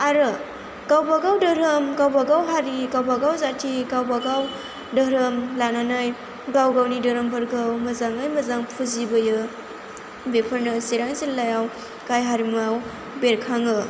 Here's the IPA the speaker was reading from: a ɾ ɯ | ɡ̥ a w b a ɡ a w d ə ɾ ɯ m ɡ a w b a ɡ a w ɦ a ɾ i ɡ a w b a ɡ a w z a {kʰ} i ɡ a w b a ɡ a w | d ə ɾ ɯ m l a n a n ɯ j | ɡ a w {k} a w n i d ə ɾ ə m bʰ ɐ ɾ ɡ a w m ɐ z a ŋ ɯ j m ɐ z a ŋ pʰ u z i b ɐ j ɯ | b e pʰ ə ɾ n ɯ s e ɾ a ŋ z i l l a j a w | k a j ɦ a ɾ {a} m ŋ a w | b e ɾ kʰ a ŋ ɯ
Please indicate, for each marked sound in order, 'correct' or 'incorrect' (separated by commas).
incorrect, incorrect, incorrect